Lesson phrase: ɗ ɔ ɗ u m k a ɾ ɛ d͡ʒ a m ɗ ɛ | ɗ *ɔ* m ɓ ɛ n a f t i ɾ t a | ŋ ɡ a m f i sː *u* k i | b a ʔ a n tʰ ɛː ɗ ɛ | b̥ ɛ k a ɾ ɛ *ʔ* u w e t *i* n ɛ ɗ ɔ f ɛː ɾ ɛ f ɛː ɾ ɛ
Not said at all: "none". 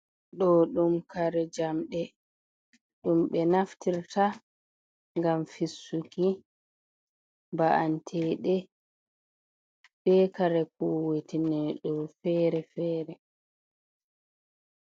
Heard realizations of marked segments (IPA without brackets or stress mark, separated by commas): u, u, k, i